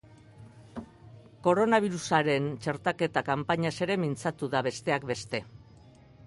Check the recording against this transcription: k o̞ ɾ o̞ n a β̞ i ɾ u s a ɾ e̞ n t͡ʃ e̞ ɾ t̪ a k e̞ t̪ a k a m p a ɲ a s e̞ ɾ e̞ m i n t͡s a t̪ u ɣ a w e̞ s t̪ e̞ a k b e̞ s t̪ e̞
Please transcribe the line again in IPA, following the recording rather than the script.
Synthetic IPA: k o̞ ɾ o̞ n a β̞ i ɾ u s a ɾ e̞ n t͡ʃ e̞ ɾ t̪ a k e̞ t̪ a k a m p a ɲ a s e̞ ɾ e̞ m i n t͡s a t̪ u ð a β e̞ s t̪ e̞ a k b e̞ s t̪ e̞

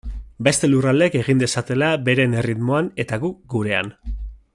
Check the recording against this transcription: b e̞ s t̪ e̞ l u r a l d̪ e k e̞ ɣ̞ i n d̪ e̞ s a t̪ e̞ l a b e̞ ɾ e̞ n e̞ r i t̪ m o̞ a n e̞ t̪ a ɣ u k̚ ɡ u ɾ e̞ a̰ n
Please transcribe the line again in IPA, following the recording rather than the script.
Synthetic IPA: b e̞ s t̪ e̞ l u r a l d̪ e k e̞ ɣ̞ i n d̪ e̞ s a t̪ e̞ l a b e̞ ɾ e̞ n e̞ r i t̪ m o̞ a n e̞ t̪ a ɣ u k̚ ɡ u ɾ e̞ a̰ n

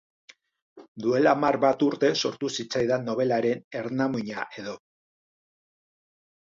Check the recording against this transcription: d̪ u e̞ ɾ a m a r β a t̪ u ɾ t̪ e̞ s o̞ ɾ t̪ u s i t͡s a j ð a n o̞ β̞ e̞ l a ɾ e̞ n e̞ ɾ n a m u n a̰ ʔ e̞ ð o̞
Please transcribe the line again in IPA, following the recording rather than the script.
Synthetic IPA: d̪ u e̞ l a m a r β a t̪ u ɾ t̪ e̞ s o̞ ɾ t̪ u s i t͡s a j ð a n o̞ β̞ e̞ l a ɾ e̞ n e̞ ɾ n a m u ɲ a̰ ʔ e̞ ð o̞

